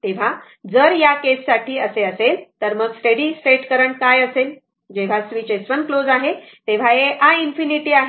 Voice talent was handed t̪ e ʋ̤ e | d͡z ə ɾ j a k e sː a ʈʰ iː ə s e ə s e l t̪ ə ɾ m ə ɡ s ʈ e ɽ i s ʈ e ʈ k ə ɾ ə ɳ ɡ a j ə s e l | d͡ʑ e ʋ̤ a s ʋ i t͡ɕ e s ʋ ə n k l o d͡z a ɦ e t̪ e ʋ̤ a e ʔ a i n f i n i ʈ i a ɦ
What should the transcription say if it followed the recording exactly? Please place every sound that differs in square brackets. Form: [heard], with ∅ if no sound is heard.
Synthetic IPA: t̪ e ʋ̤ [a] | d͡z ə ɾ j a k e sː a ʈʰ iː ə s e ə s e l t̪ ə ɾ m ə ɡ s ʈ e ɽ i s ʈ e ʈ k ə ɾ ə ɳ [k] a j ə s e l | d͡ʑ e ʋ̤ a s ʋ i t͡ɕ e s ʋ ə n k l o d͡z a ɦ e t̪ e ʋ̤ a e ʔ a i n f i n i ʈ i a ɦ